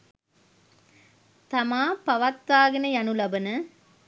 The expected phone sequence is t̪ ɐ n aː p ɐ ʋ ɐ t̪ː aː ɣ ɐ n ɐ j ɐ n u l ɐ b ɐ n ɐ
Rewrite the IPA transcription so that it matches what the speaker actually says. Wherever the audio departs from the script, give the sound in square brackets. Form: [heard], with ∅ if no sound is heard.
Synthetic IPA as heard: t̪ ɐ [m] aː p ɐ ʋ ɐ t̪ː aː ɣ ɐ n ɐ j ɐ n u l ɐ b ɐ n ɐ